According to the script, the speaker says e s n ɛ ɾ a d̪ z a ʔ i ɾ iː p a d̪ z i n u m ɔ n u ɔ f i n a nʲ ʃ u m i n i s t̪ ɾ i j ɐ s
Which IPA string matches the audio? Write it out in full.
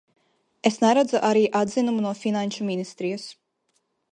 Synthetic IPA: e s n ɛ ɾ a d̪ z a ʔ a ɾ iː ʔ a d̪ z i n u m u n u ɔ f i n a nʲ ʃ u m i n i s t̪ ɾ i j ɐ s